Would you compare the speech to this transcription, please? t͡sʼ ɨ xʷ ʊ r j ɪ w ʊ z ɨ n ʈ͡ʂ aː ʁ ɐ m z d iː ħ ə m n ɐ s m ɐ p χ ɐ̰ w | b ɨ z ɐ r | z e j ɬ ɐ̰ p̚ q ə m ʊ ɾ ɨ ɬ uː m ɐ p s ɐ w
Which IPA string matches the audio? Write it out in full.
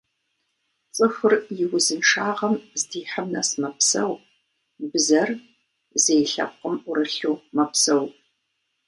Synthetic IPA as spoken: t͡sʼ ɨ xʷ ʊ r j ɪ w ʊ z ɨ n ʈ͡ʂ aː ʁ ɐ m z d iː ħ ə m n ɐ s m ɐ p s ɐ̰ w | b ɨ z ɐ r | z e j ɬ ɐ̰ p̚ q ə m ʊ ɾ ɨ ɬ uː m ɐ p s ɐ w